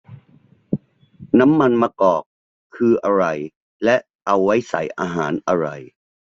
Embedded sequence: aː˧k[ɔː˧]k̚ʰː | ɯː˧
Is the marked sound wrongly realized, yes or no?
yes